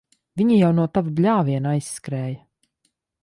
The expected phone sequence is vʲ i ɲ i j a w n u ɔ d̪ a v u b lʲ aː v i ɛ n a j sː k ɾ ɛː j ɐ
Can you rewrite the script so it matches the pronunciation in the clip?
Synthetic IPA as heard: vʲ i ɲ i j a w n u ɔ t̪ a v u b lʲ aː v i ɛ n a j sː k ɾ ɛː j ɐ